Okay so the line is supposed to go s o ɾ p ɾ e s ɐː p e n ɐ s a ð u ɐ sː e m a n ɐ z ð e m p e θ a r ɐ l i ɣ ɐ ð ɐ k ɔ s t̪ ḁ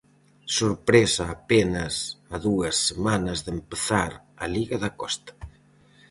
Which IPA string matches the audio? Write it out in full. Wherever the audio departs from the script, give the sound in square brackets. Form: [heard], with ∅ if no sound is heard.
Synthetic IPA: s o ɾ p ɾ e s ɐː p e n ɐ s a ð u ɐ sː e m a n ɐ z ð e m p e θ a [ɾ] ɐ l i ɣ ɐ ð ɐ k ɔ s t̪ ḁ